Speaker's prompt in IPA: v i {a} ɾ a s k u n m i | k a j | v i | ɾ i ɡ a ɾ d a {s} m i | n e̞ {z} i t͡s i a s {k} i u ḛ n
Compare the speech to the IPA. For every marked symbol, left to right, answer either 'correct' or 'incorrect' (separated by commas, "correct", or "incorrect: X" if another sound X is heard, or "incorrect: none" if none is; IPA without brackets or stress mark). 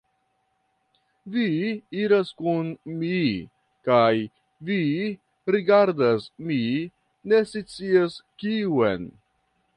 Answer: incorrect: i, correct, incorrect: s, correct